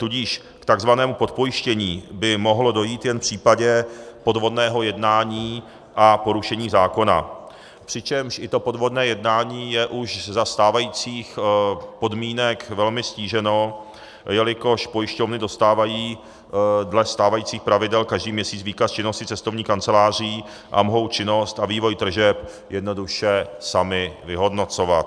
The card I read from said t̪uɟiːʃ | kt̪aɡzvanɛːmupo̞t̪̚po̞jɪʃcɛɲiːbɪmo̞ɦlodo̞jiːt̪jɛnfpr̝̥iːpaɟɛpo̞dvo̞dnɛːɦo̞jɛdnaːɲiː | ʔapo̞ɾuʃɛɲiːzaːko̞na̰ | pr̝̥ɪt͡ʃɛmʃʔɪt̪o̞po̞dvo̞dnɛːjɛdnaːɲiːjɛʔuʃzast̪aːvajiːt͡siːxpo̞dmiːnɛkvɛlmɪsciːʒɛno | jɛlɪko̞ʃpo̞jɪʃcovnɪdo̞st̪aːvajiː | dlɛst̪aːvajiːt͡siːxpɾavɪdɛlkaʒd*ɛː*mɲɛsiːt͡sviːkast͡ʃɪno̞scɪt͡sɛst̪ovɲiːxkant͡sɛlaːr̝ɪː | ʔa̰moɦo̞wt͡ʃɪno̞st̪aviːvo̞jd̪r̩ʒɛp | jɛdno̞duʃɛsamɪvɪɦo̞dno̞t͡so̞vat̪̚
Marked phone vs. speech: incorrect: iː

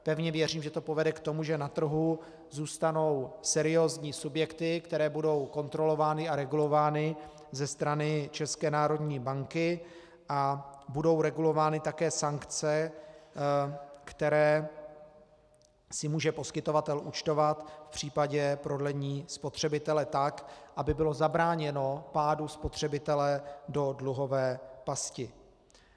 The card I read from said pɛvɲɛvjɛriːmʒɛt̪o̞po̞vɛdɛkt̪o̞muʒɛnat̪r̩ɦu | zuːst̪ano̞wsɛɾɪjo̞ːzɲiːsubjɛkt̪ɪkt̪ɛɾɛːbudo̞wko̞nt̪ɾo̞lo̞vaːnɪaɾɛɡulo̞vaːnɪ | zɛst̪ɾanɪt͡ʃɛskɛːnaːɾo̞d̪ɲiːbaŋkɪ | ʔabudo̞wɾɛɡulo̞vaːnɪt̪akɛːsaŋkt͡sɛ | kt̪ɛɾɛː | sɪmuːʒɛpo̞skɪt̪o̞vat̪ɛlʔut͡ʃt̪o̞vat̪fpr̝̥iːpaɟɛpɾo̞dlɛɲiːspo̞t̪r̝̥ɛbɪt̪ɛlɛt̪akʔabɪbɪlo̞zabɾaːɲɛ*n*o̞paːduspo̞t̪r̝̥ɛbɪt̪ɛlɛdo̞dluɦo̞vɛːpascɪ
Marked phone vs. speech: correct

